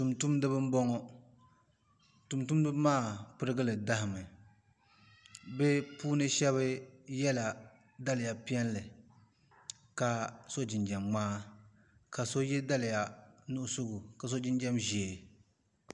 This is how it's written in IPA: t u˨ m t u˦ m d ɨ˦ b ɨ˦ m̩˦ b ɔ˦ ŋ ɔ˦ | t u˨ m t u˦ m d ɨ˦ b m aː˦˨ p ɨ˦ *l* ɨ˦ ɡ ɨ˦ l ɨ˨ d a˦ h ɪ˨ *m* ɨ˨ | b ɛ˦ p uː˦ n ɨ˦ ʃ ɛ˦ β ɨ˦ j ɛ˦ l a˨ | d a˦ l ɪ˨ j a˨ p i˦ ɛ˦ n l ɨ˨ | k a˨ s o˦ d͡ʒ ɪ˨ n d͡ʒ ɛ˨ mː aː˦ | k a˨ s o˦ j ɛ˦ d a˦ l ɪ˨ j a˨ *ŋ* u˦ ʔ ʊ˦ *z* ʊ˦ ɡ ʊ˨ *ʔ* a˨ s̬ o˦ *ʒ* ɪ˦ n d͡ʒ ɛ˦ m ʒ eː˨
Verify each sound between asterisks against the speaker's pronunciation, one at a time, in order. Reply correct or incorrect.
incorrect, correct, incorrect, incorrect, incorrect, incorrect

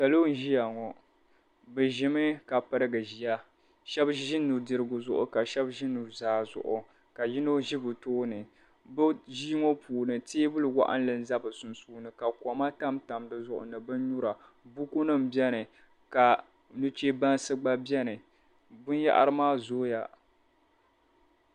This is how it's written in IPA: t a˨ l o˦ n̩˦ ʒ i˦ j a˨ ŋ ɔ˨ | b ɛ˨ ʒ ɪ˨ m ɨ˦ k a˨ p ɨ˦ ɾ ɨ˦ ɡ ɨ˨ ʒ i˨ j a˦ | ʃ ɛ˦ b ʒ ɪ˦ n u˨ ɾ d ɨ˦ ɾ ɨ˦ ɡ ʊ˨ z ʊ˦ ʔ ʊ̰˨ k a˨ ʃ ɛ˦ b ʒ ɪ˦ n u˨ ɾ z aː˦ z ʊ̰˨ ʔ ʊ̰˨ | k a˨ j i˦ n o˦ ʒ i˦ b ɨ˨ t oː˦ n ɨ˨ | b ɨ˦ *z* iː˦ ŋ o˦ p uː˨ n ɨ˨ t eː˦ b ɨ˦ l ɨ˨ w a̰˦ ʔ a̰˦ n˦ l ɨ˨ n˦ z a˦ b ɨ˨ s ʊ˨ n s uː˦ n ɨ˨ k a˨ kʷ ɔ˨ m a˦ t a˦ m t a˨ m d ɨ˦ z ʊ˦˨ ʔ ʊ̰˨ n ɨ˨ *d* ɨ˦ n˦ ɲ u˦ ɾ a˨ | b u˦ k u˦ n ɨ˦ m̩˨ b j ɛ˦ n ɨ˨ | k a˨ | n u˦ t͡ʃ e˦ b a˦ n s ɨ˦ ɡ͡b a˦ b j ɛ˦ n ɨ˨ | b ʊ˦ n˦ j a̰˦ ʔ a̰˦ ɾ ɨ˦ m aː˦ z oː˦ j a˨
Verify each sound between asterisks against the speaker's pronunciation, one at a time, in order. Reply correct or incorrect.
incorrect, incorrect

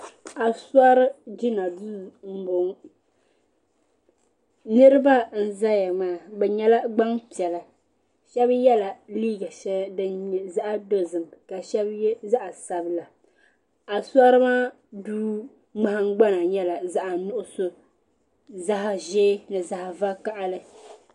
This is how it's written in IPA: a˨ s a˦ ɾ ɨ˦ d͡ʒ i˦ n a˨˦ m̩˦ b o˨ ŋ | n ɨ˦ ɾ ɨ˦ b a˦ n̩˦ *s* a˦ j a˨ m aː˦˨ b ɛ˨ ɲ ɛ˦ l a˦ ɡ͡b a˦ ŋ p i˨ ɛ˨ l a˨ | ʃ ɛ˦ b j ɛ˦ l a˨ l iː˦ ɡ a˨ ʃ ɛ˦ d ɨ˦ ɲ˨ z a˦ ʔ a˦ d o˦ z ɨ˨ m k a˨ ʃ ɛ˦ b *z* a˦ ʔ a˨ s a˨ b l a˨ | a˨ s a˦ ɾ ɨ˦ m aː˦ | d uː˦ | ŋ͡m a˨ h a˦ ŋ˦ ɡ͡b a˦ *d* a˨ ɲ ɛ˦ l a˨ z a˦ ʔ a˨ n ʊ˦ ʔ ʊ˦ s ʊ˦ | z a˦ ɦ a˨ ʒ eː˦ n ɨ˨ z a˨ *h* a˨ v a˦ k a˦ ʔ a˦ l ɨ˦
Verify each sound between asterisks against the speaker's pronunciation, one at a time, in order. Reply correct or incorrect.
incorrect, correct, incorrect, correct

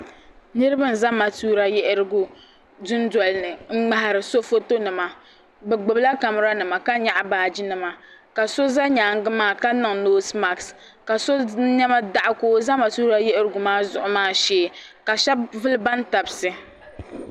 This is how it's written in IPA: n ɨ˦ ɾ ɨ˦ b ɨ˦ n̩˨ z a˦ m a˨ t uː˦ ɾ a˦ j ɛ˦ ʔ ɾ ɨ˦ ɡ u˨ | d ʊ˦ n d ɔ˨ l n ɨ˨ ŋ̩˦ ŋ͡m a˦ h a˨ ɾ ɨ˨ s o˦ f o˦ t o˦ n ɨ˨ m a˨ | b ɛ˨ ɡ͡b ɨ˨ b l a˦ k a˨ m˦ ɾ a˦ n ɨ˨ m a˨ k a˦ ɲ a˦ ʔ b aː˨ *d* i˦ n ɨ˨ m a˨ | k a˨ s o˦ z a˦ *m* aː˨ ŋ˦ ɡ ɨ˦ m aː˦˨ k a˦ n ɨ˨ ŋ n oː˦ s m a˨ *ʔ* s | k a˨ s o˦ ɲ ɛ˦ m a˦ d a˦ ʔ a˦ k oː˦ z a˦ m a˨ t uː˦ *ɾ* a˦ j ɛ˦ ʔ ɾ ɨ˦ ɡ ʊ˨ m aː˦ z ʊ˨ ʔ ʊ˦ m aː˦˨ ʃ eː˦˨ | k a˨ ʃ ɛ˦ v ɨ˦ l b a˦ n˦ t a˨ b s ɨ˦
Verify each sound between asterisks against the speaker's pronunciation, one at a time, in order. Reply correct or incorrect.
incorrect, incorrect, incorrect, correct

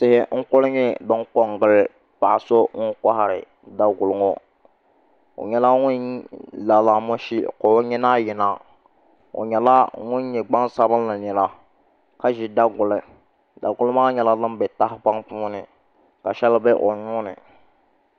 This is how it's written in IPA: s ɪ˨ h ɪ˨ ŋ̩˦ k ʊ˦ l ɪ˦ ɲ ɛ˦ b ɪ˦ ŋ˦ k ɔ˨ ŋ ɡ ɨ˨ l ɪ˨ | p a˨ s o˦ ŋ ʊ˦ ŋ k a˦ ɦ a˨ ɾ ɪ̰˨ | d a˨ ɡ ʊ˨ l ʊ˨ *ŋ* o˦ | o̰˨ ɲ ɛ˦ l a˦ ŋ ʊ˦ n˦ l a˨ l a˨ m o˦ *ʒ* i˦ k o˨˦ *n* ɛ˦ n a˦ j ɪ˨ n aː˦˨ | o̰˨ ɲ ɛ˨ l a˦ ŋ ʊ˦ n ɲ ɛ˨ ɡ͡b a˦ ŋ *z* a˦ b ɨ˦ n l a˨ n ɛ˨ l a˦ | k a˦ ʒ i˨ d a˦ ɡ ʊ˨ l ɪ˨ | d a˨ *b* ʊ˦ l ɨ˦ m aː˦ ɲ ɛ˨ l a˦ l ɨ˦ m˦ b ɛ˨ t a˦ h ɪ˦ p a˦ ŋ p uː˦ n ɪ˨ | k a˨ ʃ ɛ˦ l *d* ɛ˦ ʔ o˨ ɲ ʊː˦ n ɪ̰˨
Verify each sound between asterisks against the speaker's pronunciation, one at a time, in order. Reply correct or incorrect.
correct, incorrect, incorrect, incorrect, incorrect, incorrect

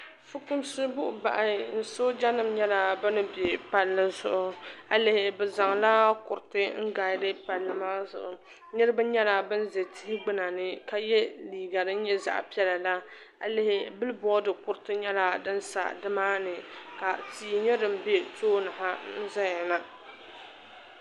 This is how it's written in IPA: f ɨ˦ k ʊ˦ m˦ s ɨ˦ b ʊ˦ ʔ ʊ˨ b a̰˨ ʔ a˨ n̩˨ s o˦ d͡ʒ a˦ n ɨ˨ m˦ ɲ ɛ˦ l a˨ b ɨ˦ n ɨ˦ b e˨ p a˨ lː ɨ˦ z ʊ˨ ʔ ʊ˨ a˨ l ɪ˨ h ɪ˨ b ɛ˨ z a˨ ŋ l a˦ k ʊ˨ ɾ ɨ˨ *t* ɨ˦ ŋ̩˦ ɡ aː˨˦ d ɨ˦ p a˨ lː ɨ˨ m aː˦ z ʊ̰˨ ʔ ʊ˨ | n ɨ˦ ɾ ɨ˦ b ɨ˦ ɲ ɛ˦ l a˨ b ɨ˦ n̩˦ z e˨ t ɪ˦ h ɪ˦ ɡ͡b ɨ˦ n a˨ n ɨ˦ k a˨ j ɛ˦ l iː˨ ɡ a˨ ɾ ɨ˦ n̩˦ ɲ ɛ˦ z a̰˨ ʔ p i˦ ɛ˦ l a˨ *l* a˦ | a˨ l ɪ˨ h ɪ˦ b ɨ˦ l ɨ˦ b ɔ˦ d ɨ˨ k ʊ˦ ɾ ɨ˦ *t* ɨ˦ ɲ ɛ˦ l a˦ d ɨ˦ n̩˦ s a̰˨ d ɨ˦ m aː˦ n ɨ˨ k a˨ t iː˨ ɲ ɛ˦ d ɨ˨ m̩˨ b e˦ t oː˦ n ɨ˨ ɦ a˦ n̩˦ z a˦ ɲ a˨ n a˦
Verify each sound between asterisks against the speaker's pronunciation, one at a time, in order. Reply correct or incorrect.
correct, correct, correct

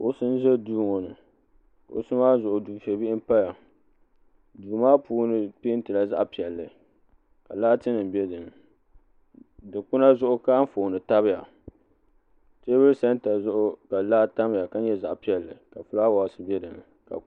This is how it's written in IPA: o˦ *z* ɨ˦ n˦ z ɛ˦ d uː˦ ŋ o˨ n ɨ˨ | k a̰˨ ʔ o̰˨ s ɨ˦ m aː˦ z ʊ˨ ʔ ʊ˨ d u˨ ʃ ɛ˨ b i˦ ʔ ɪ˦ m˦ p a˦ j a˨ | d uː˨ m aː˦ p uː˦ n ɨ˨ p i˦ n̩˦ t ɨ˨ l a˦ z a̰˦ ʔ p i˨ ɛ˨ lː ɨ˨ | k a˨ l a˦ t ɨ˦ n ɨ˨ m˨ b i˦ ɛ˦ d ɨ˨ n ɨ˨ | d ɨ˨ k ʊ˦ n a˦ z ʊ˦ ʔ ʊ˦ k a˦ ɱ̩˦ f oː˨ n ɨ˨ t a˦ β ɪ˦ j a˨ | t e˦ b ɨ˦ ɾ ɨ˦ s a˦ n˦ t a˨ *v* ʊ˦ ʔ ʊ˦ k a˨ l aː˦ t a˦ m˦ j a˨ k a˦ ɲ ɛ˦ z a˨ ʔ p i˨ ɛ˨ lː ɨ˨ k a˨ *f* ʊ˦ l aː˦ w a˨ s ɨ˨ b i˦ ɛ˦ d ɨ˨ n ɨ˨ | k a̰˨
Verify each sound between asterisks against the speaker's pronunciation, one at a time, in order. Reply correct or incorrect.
incorrect, incorrect, correct

